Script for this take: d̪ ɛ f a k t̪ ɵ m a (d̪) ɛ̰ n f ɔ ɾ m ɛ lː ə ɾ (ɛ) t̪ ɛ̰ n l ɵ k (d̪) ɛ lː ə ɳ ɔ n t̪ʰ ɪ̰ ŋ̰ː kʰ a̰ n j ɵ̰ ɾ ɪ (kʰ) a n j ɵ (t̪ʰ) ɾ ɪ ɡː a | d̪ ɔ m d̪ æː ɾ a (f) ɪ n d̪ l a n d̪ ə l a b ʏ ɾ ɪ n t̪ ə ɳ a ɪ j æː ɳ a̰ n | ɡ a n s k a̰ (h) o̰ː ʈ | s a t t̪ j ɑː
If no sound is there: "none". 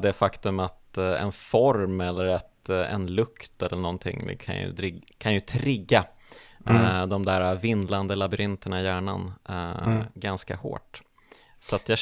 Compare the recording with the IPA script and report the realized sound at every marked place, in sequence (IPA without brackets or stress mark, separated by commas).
t̪, ɛ, t̪, kʰ, t̪ʰ, v, h